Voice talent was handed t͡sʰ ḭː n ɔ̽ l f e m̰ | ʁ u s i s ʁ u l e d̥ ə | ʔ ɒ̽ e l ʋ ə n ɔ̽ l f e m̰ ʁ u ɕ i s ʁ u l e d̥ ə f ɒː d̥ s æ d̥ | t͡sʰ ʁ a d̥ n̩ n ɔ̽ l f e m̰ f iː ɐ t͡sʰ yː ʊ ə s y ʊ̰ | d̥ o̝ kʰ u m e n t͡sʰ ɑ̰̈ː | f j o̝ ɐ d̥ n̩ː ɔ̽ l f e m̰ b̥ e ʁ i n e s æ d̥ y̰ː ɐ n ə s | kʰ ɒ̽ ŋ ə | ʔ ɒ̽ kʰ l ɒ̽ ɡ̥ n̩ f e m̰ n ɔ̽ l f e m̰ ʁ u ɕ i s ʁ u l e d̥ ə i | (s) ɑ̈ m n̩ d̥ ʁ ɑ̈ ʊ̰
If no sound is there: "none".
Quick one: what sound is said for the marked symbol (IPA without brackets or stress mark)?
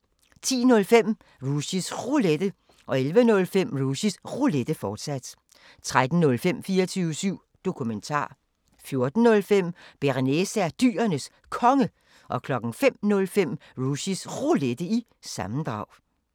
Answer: s